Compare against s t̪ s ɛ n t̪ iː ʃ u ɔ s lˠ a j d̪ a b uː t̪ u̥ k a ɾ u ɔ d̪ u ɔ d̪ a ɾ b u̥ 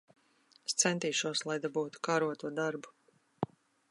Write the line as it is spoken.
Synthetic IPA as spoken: s t̪ s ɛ n t̪ iː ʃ u ɔ s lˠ a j d̪ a b uː t̪ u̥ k a ɾ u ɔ t̪ u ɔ d̪ a ɾ b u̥